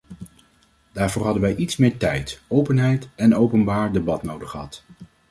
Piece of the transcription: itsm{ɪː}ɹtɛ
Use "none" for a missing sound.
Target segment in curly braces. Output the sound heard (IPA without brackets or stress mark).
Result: ɪː